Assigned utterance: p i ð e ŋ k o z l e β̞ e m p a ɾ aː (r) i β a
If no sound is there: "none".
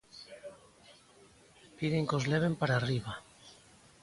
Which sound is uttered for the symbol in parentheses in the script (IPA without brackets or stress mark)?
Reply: r